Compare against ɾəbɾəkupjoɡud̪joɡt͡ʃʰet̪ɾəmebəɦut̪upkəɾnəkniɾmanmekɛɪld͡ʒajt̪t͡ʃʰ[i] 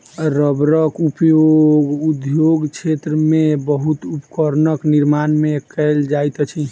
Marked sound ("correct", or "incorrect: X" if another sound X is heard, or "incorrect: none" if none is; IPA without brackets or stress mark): correct